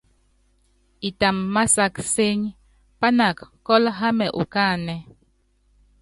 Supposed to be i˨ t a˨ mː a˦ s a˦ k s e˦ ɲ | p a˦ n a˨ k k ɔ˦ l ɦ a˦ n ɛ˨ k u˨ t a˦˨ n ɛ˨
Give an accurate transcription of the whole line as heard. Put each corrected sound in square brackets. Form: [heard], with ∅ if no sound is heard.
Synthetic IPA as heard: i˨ t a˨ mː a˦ s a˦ k s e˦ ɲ | p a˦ n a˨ k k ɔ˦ l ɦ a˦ [m] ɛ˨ [ʔ] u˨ [k] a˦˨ n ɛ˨

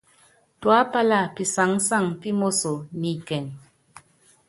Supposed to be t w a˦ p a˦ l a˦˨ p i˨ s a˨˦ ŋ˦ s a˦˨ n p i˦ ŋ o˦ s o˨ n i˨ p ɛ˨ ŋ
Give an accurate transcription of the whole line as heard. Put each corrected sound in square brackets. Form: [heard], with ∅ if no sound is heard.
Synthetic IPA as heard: t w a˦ p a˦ l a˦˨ p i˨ s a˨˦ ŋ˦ s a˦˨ [ŋ] p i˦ [m] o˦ s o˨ n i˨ [k] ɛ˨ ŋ

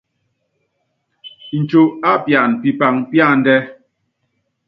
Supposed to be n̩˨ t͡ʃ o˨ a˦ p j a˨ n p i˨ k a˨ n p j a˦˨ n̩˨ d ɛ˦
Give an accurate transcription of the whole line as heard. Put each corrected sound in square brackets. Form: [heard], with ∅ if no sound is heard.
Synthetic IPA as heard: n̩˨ t͡ʃ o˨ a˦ p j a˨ n p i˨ [p] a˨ [ŋ] p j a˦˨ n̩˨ d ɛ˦

